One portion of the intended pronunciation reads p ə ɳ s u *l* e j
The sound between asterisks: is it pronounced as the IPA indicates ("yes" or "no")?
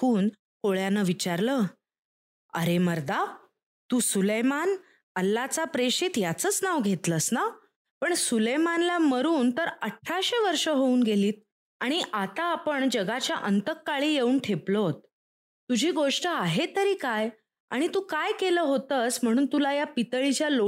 yes